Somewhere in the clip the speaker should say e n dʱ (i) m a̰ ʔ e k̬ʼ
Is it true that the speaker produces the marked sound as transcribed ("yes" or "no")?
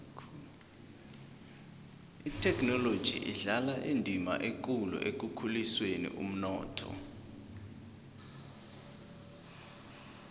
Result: yes